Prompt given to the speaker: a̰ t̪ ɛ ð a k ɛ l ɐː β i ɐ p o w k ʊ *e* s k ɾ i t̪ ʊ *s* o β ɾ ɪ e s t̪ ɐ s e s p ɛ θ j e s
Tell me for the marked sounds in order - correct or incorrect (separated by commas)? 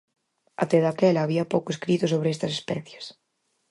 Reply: correct, correct